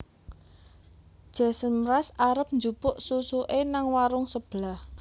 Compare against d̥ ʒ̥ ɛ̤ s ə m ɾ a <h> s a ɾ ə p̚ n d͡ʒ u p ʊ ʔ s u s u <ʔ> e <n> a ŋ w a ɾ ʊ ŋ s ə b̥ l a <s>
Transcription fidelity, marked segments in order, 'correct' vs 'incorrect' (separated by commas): incorrect, correct, correct, incorrect